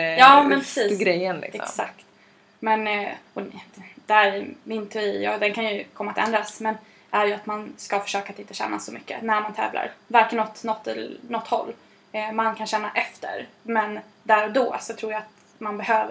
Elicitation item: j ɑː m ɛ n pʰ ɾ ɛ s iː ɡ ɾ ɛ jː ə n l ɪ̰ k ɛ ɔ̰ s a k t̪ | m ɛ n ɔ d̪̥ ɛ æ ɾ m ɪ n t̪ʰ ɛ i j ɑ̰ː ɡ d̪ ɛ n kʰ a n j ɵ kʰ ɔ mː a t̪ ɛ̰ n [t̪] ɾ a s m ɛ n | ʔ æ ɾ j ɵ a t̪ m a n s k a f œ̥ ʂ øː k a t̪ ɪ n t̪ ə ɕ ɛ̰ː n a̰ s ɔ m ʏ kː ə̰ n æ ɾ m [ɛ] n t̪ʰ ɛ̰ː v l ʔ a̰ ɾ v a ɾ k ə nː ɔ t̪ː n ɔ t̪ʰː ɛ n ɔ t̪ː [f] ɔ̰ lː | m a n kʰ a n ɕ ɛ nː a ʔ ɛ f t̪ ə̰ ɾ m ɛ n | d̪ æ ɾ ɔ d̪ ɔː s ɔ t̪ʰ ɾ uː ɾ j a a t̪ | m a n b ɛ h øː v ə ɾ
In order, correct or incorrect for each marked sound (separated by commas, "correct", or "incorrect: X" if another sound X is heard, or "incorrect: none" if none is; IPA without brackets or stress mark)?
incorrect: d̪, incorrect: a, incorrect: h